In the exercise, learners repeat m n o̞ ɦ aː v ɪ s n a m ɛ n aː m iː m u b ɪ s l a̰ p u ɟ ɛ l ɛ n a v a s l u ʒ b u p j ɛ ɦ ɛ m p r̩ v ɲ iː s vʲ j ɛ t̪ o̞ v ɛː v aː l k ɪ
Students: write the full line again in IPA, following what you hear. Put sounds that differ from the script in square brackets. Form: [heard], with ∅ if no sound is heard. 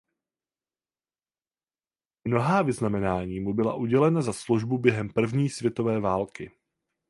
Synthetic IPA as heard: m n o̞ ɦ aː v ɪ [z] n a m ɛ n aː [ɲ] iː m u b ɪ [∅] l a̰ [ʔ] u ɟ ɛ l ɛ n a [z] a s l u ʒ b u [b] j ɛ ɦ ɛ m p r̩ v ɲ iː s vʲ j ɛ t̪ o̞ v ɛː v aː l k ɪ